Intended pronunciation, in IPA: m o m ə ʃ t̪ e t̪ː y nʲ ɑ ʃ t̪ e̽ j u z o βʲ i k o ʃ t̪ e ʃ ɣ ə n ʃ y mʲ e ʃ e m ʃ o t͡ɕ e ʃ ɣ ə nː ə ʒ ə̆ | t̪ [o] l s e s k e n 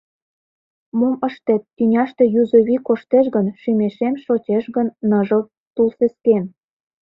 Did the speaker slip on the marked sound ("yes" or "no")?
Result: yes